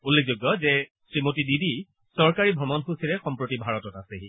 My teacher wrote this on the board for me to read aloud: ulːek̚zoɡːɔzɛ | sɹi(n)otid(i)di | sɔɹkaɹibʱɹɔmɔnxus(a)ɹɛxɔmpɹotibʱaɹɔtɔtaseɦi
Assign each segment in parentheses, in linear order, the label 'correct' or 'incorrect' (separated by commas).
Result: incorrect, correct, incorrect